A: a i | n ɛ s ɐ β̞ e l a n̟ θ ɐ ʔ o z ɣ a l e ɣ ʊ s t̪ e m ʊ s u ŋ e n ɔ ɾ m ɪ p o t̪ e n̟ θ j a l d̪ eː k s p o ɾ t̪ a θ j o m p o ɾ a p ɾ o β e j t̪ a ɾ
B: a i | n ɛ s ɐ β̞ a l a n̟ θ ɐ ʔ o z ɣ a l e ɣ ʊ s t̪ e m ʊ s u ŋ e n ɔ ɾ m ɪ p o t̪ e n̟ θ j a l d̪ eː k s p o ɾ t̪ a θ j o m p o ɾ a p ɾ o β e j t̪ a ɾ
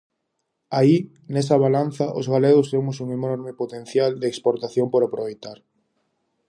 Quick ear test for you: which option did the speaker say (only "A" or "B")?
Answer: B